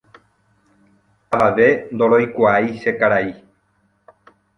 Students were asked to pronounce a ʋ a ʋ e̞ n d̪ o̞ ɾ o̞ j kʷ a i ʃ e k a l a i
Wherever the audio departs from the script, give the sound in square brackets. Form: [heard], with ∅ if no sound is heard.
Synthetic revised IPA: a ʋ a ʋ e̞ n d̪ o̞ ɾ o̞ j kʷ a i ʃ e k a [ɾ] a i